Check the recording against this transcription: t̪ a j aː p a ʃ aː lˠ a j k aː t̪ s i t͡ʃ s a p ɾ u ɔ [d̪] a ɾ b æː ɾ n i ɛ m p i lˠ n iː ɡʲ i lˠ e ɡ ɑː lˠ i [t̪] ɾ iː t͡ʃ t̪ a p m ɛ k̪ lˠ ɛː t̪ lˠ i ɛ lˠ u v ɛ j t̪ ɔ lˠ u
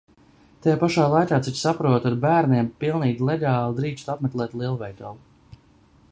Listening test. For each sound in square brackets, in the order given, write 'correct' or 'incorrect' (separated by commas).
incorrect, incorrect